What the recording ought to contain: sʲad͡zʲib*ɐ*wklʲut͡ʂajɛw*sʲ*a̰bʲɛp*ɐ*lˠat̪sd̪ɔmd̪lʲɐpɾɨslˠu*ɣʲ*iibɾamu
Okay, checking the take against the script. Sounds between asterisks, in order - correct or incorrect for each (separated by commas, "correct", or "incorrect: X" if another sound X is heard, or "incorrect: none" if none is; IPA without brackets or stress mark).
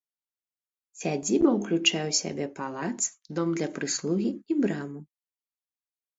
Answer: correct, correct, incorrect: a, correct